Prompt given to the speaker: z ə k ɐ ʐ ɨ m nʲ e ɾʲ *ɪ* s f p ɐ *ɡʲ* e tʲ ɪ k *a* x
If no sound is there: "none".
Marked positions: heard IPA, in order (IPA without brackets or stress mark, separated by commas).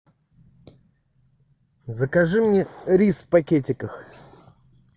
i, kʲ, ə